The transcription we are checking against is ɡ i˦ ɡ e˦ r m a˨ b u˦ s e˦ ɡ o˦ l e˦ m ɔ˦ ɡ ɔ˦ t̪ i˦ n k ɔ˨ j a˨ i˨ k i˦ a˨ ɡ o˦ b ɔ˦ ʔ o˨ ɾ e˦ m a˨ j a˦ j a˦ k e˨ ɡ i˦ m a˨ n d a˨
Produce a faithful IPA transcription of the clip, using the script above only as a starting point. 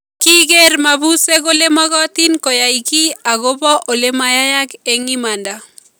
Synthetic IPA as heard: k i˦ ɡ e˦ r m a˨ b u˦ s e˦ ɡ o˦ l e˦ m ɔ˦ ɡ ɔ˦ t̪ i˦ n k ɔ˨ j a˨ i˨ k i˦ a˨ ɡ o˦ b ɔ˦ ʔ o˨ l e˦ m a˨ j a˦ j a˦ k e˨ ŋ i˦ m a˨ n d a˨